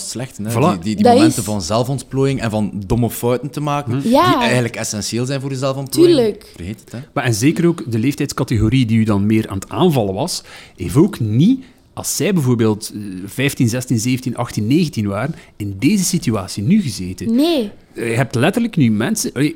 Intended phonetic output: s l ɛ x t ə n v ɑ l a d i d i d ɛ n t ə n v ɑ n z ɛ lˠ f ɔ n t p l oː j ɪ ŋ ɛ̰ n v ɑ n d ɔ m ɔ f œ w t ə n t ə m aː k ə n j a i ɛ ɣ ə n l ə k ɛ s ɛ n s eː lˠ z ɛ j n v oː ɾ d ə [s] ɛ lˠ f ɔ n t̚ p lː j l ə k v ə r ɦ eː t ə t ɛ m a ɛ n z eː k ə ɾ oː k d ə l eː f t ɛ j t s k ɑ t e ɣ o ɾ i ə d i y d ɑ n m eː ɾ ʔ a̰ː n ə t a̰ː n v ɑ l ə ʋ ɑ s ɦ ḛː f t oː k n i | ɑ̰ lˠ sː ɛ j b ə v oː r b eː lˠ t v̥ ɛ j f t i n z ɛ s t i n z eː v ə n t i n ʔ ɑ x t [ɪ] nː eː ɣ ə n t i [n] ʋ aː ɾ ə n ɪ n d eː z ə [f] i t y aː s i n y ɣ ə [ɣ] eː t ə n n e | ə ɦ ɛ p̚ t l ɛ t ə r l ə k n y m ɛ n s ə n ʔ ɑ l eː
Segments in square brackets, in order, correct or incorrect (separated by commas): incorrect, incorrect, correct, incorrect, incorrect